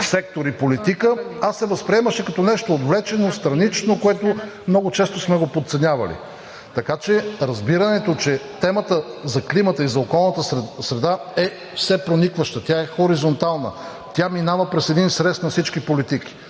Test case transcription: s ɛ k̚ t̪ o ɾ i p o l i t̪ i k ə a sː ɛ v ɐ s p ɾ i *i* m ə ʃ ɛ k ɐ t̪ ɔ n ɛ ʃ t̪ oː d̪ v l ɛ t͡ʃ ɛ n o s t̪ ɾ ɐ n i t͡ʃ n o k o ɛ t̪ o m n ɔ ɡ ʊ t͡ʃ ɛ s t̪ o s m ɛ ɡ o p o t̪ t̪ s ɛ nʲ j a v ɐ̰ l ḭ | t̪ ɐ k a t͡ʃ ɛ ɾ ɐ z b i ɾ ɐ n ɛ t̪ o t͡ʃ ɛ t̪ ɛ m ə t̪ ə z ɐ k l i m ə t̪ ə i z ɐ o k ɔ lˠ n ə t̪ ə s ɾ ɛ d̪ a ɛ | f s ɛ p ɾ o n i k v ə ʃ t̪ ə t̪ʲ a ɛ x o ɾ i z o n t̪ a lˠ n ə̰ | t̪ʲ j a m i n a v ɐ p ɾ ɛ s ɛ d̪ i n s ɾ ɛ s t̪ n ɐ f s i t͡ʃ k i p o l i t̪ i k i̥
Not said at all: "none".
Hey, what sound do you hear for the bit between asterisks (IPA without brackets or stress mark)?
ɛ